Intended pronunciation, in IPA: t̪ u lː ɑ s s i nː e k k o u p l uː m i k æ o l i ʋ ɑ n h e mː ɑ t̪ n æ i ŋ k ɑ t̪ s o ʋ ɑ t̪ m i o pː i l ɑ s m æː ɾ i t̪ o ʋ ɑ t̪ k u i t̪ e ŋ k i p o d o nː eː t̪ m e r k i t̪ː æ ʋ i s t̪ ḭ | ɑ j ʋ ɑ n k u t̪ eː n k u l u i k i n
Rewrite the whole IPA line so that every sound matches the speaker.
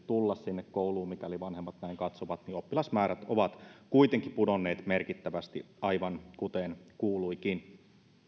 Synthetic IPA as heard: t̪ u lː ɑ s s i nː e k k o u l uː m i k æ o l i ʋ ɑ n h e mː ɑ t̪ n æ i ŋ k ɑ t̪ s o ʋ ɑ t̪ n i o pː i l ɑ s m æː ɾ æ t̪ o ʋ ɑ t̪ k u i t̪ e ŋ k i p u d o nː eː t̪ m e r k i t̪ː æ ʋ æ s t̪ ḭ | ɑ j ʋ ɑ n k u t̪ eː n k uː l u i k i n